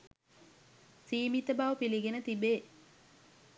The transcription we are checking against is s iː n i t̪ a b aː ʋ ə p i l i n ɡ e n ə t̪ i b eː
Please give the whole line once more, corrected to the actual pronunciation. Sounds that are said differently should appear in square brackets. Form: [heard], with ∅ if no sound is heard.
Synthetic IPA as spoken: s iː [m] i t̪ [ə] b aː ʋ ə p i l i [∅] ɡ e n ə t̪ i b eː